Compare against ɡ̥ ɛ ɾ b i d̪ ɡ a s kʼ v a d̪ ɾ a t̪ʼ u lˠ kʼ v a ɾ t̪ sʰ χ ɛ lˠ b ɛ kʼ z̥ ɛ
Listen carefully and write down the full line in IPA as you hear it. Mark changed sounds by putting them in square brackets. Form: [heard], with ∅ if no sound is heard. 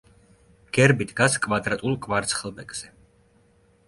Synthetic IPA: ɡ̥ ɛ ɾ b i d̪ ɡ a s kʼ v a d̪ ɾ a t̪ʼ u lˠ kʼ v a ɾ t̪ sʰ χ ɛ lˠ b ɛ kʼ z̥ ɛ